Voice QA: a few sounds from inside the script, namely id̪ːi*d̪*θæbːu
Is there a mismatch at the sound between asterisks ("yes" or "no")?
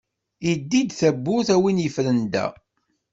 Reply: no